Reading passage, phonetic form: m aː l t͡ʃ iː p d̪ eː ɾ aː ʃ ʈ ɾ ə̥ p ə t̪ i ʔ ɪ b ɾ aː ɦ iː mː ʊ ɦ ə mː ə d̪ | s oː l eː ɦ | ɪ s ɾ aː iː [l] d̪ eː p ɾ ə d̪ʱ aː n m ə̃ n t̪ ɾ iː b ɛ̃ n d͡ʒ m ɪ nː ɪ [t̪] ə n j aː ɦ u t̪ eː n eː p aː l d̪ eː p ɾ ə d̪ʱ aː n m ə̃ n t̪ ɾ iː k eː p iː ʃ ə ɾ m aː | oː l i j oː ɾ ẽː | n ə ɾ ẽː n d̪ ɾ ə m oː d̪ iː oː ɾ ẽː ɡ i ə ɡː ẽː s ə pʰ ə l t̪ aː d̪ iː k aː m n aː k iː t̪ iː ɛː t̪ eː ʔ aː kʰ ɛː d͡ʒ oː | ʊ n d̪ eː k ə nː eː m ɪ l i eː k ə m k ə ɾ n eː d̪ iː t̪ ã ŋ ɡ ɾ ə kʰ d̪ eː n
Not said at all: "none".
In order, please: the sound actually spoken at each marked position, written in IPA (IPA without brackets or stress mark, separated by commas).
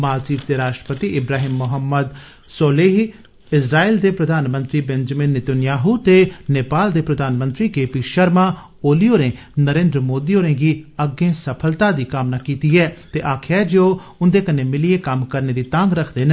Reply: l, t̪